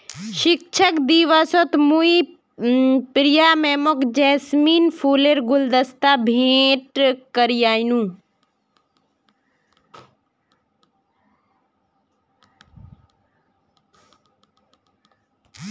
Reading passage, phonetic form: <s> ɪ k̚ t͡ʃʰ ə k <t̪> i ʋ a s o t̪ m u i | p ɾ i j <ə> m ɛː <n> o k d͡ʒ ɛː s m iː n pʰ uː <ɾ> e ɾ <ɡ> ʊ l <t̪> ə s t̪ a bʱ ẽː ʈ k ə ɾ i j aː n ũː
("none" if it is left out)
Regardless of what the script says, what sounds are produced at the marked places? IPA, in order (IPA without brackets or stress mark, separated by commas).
ʃ, d̪, a, m, l, ɡ, d̪